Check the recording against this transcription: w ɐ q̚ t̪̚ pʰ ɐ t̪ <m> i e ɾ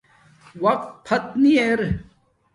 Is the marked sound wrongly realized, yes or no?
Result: yes